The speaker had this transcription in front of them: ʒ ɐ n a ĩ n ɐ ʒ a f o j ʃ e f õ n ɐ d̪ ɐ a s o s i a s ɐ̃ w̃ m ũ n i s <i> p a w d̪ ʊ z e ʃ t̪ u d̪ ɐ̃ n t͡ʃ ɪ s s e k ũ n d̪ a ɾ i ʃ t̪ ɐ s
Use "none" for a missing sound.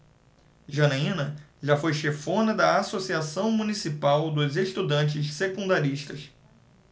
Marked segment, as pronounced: i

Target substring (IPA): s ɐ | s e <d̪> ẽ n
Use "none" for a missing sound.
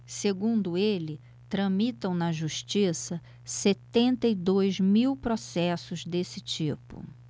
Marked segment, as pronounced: t̪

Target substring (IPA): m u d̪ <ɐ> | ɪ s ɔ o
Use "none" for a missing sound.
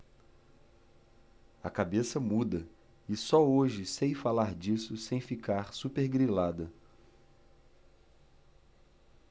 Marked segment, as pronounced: ɐ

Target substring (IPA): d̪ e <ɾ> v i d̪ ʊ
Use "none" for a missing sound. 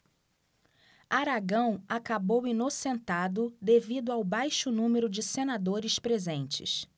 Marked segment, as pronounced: none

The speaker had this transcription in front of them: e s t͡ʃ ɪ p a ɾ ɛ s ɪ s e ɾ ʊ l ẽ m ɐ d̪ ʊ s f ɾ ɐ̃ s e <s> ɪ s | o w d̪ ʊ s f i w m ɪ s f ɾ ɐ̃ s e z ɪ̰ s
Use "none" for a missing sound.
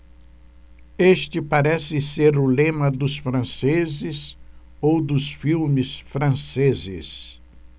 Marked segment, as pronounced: z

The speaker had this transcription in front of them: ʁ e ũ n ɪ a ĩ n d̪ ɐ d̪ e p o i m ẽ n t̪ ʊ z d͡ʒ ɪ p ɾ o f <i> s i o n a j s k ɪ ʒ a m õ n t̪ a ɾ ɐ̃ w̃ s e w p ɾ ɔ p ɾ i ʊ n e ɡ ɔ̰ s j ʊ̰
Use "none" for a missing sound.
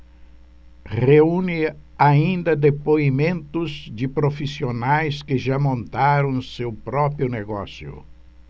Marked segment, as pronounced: i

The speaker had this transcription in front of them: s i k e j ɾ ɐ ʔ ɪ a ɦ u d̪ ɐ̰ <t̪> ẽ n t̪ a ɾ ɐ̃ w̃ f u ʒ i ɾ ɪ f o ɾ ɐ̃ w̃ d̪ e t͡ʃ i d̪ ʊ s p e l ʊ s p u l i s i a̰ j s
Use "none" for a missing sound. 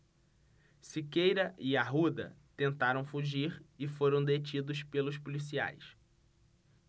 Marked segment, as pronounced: t̪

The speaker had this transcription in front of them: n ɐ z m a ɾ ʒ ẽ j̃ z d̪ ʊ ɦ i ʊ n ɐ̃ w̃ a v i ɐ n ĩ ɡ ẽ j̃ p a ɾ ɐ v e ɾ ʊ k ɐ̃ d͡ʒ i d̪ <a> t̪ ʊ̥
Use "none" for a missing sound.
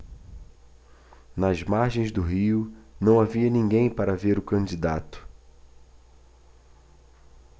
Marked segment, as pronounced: a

